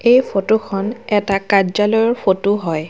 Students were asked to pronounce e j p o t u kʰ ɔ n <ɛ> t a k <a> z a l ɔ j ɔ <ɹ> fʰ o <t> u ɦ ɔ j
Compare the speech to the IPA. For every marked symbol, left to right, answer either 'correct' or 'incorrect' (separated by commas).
correct, correct, correct, correct